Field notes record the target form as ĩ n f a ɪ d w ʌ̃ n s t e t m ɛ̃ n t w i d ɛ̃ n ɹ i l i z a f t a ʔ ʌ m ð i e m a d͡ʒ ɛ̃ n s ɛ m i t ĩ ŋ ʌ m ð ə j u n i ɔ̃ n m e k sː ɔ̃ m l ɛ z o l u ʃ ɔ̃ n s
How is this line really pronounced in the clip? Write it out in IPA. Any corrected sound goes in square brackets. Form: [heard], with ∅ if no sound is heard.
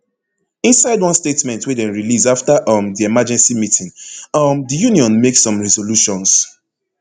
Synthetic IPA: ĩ n [s] a ɪ d w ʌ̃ n s t e t m ɛ̃ n t w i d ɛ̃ n ɹ i l i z a f t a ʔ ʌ m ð i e m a d͡ʒ ɛ̃ n s [i] m i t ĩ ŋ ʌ m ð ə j u n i ɔ̃ n m e k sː ɔ̃ m [ɹ] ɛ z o l u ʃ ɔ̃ n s